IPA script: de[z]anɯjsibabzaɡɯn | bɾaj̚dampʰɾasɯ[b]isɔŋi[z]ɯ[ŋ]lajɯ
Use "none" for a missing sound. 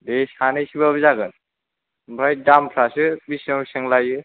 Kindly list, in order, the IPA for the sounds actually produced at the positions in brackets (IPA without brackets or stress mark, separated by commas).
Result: s, b, s, ŋ